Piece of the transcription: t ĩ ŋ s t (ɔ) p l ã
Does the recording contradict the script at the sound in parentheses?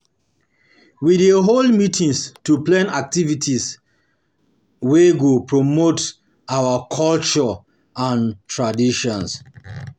yes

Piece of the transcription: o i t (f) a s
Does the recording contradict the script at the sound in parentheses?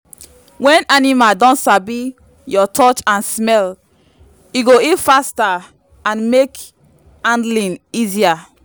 no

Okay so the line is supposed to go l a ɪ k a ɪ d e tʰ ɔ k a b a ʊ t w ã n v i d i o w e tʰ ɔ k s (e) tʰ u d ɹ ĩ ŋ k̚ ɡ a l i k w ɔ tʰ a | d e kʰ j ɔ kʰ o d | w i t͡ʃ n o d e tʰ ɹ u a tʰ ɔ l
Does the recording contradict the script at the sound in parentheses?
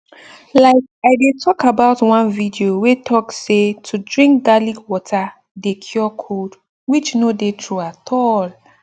no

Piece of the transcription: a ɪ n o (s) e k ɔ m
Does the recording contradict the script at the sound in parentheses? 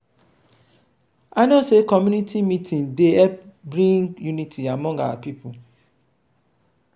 no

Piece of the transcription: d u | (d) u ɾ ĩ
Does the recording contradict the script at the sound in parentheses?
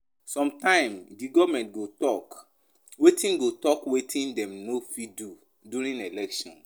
no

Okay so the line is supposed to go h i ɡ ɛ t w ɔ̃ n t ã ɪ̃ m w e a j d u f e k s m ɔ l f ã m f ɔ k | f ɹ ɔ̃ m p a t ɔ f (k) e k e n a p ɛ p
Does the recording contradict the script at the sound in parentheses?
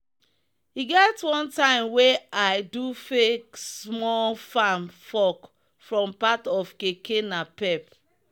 no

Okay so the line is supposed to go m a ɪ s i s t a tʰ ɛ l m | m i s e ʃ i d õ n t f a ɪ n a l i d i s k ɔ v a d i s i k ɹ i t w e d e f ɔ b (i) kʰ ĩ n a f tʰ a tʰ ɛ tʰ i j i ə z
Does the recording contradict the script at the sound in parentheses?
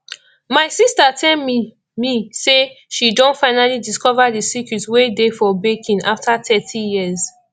yes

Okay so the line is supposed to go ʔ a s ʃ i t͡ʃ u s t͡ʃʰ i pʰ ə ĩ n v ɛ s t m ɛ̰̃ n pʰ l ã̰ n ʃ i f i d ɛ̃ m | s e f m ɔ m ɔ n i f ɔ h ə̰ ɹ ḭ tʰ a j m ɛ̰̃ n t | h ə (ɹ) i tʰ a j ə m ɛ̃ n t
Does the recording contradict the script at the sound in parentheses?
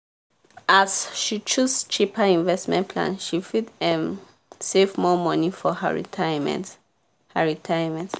no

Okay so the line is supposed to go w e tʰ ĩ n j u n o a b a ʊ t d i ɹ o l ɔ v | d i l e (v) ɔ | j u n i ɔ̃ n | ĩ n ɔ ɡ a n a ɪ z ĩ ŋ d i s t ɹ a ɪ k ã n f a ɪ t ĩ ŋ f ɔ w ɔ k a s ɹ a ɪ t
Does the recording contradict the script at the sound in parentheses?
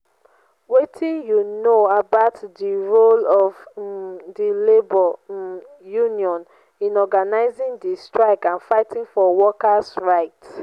yes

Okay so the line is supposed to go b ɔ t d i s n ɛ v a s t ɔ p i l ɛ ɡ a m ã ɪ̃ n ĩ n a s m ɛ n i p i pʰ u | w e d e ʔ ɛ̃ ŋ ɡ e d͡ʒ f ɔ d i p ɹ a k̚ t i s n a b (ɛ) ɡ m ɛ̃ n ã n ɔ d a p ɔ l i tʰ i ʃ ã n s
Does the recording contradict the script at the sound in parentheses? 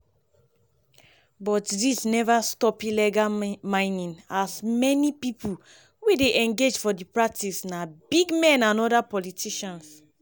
yes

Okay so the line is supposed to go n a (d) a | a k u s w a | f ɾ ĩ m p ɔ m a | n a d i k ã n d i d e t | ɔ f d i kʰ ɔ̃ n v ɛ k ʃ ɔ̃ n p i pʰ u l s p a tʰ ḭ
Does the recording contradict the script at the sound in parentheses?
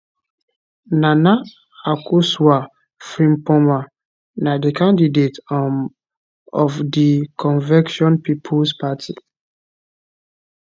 yes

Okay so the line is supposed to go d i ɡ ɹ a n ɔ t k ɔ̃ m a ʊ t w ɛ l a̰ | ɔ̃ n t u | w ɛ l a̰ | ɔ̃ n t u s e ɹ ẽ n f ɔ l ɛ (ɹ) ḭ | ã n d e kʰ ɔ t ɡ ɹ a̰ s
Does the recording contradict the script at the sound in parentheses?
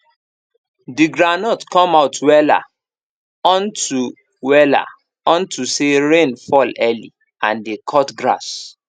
yes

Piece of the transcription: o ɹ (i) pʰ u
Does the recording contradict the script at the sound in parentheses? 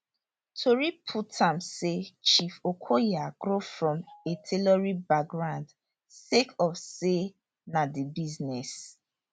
no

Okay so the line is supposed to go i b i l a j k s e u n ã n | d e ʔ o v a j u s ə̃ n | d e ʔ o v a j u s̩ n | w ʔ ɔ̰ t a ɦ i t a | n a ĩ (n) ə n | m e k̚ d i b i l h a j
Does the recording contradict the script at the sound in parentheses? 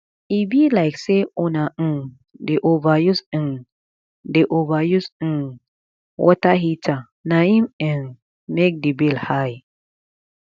yes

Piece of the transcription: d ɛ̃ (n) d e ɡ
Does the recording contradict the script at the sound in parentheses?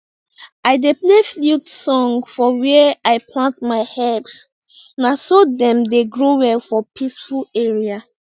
yes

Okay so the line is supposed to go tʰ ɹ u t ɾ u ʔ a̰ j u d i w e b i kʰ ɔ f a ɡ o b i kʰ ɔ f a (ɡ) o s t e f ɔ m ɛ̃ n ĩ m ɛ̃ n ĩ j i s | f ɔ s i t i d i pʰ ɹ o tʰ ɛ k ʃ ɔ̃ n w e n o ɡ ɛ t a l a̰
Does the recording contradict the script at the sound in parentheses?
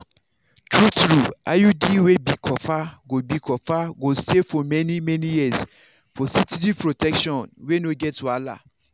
no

